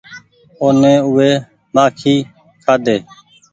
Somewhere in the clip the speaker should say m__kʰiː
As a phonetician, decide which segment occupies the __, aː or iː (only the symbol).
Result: aː